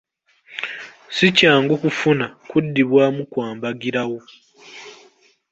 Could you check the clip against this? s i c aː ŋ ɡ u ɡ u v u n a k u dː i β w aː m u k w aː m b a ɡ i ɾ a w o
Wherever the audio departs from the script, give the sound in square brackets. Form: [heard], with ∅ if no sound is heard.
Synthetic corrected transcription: s i c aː ŋ ɡ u [k] u [f] u n a k u dː i β w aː m u k w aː m b a ɡ i ɾ a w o